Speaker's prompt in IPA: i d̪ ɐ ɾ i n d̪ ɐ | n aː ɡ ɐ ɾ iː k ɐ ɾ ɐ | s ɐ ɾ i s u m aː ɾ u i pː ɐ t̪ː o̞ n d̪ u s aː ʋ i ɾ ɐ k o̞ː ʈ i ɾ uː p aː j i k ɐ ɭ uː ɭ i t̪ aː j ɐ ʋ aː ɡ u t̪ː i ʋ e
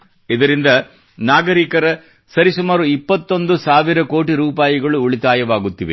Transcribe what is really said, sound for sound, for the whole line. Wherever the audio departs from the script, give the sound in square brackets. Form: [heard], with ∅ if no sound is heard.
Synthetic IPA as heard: i d̪ ɐ ɾ i n d̪ ɐ | n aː ɡ ɐ ɾ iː k ɐ ɾ ɐ | s ɐ ɾ i s u m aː ɾ u i pː ɐ t̪ː o̞ n d̪ u s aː ʋ i ɾ ɐ k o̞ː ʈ i ɾ uː p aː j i [ɡ] ɐ ɭ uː ɭ i t̪ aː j ɐ ʋ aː ɡ u t̪ː i ʋ e